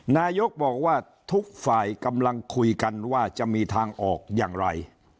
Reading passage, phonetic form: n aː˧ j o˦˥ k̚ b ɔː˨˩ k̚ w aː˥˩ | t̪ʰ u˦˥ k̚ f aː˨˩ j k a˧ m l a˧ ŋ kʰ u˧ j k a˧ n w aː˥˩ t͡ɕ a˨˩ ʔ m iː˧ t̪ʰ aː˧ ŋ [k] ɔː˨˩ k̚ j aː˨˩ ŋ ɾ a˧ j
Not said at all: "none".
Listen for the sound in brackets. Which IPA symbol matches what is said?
ʔ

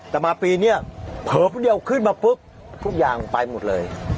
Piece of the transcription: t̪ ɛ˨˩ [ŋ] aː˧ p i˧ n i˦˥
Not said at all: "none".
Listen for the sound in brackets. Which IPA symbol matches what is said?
m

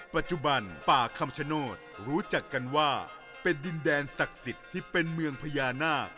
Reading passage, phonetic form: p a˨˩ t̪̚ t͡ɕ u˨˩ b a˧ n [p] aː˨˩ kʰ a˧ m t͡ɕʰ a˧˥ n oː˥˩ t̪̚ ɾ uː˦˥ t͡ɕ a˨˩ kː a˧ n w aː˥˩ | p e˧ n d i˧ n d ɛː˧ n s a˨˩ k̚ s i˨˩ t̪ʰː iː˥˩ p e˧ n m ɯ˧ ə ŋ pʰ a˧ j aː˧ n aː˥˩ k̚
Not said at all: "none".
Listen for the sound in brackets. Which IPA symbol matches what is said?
p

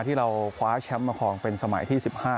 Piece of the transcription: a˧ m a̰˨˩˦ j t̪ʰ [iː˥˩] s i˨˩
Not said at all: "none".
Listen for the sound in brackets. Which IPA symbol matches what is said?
iː˥˩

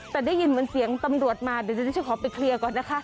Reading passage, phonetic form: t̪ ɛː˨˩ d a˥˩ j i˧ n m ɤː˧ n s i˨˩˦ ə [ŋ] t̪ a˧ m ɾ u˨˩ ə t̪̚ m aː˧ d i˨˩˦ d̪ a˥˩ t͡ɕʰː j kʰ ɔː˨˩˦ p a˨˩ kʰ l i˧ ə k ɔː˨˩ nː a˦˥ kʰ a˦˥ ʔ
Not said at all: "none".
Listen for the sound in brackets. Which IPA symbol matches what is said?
ŋ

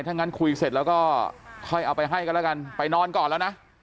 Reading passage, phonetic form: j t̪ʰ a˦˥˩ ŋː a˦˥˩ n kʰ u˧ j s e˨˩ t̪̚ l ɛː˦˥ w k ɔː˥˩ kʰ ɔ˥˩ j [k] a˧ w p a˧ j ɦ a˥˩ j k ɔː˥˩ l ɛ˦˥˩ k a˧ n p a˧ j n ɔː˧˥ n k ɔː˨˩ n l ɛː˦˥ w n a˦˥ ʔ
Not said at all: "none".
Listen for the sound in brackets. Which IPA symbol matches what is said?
ʔ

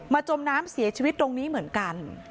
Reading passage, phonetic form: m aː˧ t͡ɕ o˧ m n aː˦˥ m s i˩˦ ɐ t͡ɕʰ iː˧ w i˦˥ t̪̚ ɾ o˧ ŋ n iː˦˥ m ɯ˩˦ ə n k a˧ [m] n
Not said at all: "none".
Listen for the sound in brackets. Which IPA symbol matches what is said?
none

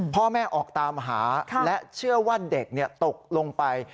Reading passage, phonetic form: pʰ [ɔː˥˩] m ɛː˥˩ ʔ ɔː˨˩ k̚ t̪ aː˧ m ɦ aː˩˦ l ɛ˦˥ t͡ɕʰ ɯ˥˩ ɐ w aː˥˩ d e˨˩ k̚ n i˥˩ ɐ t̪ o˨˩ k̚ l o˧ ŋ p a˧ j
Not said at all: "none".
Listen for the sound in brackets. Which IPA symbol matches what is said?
ɔː˥˩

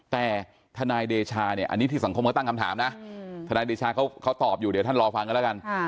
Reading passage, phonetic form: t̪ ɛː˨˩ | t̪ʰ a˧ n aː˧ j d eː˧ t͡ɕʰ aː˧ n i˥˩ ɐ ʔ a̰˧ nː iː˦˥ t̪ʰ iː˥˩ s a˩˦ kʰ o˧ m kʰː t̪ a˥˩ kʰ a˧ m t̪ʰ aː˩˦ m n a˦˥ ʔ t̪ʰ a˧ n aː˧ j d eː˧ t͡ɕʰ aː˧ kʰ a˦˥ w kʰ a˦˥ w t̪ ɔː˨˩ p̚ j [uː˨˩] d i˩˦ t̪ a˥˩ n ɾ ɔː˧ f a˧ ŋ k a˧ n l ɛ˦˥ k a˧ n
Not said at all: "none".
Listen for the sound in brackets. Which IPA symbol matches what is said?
uː˨˩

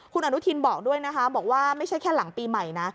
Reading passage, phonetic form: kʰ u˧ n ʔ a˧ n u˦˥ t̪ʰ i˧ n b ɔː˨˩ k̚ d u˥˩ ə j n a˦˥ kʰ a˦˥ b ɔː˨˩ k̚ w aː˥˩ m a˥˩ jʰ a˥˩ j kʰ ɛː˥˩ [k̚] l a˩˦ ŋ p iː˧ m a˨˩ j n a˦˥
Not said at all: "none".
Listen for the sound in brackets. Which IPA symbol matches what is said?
none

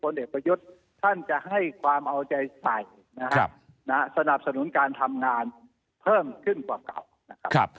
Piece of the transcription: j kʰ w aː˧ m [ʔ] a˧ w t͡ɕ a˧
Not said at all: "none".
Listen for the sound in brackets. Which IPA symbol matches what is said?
ʔ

